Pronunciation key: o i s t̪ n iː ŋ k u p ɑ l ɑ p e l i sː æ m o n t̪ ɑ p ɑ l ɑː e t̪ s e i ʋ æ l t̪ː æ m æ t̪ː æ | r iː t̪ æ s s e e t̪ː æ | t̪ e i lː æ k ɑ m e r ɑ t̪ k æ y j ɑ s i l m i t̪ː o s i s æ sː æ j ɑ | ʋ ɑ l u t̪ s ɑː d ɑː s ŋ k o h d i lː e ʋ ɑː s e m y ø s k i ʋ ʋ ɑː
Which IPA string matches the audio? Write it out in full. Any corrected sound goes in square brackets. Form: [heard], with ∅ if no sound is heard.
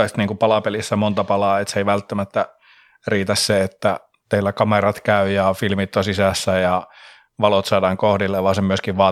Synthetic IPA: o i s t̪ n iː ŋ k u p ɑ l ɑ p e l i sː æ m o n t̪ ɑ p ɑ l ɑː e t̪ s e i ʋ æ l t̪ː æ m æ t̪ː æ | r iː t̪ æ s s e e t̪ː æ | t̪ e i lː æ k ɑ m e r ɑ t̪ k æ y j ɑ [f] i l m i t̪ː o s i s æ sː æ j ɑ | ʋ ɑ l [o] t̪ s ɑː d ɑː [∅] ŋ k o h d i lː e ʋ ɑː s e m y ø s k i ʋ ʋ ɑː